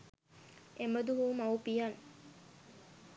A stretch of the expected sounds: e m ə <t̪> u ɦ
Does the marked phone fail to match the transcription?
yes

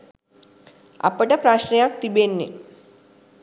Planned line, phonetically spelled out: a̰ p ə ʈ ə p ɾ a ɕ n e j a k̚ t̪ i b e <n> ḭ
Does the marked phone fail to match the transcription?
yes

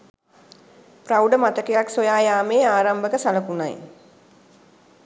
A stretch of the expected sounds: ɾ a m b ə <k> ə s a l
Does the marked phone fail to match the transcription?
no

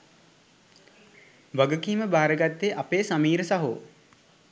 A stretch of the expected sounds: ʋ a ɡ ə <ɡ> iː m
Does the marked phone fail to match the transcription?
yes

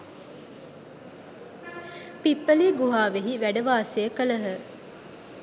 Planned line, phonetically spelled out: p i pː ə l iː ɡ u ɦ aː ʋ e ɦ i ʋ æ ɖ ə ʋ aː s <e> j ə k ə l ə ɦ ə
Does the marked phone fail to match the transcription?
no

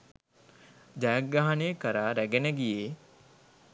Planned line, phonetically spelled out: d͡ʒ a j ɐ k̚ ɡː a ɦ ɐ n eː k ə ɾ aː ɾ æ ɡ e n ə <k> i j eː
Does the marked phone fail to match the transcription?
yes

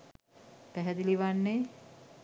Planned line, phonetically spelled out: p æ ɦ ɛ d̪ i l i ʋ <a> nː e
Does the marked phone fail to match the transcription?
no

